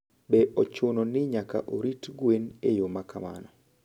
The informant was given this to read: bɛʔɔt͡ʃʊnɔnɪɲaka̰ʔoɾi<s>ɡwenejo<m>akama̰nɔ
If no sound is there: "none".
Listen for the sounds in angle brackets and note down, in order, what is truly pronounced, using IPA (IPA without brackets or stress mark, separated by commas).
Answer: t, m